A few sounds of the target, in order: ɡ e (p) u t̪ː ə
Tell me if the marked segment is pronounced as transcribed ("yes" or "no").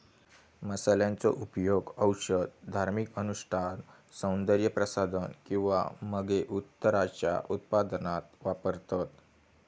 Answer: no